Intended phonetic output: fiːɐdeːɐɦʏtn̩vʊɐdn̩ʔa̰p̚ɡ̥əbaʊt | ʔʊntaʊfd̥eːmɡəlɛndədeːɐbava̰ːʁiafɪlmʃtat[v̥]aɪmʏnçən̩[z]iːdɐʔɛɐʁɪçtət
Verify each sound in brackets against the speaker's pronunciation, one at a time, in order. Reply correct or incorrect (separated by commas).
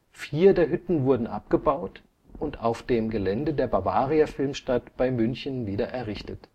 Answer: incorrect, incorrect